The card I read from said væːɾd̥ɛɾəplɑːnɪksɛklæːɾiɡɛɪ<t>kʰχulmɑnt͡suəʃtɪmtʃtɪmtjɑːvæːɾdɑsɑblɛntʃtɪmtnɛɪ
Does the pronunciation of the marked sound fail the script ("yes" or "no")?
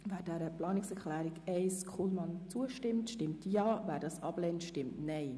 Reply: yes